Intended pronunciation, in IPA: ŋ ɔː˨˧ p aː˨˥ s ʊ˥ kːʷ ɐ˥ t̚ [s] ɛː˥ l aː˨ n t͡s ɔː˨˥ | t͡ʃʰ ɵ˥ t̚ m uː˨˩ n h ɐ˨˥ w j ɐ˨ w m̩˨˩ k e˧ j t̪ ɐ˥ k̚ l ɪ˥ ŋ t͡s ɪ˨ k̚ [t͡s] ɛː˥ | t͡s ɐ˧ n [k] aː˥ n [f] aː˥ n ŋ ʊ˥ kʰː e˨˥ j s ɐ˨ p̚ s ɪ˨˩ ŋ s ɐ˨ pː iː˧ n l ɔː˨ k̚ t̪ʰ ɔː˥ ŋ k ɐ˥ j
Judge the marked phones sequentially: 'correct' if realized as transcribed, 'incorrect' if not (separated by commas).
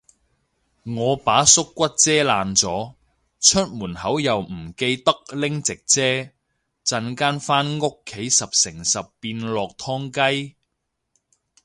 incorrect, correct, correct, correct